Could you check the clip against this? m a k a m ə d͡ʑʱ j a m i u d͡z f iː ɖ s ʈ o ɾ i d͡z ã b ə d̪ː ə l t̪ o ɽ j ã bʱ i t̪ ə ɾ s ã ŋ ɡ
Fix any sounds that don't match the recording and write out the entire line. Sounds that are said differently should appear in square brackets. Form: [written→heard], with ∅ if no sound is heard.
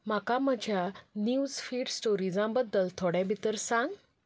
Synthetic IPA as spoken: m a k a m ə d͡ʑʱ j a [m→n] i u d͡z f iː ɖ s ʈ o ɾ i d͡z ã b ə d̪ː ə l [t̪→t̪ʰ] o ɽ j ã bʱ i t̪ ə ɾ s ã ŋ ɡ